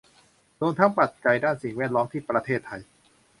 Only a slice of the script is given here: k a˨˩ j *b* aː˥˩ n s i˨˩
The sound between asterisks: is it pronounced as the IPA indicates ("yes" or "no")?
no